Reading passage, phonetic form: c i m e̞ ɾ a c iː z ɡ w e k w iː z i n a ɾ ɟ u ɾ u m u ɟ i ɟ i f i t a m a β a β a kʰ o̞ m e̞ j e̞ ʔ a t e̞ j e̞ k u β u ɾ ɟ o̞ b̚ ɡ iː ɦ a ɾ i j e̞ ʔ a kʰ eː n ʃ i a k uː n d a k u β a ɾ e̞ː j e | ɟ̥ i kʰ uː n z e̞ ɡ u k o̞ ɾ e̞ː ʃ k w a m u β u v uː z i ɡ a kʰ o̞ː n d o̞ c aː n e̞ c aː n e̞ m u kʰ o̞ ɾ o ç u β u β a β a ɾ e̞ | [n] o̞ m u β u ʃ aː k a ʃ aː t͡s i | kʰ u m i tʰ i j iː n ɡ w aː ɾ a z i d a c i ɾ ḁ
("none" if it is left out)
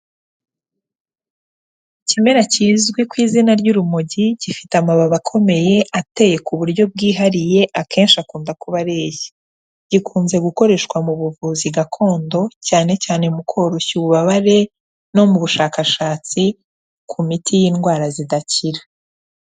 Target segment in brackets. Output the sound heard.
n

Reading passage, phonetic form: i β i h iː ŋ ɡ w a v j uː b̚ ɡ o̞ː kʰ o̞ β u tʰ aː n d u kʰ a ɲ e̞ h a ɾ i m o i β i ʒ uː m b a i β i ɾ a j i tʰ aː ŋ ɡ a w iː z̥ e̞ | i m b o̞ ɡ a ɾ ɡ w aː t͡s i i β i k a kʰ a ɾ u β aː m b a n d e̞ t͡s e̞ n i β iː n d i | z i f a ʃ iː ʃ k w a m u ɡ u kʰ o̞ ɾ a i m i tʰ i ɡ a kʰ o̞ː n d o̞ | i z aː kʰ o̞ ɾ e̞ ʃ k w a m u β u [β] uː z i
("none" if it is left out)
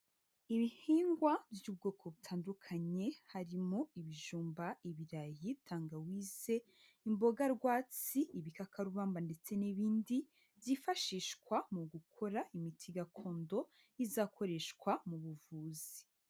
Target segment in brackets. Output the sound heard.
v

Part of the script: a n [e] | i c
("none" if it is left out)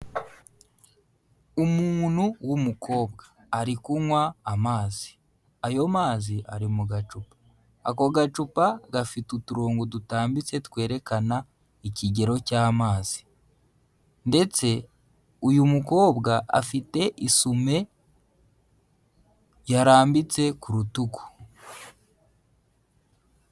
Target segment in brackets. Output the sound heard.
a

